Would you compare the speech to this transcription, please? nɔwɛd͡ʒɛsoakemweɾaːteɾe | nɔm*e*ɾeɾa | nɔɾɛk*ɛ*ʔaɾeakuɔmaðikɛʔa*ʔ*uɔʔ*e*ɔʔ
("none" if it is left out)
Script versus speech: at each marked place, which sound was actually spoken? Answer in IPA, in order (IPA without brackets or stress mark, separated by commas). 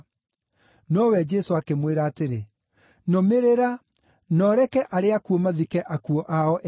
e, ɛ, k, a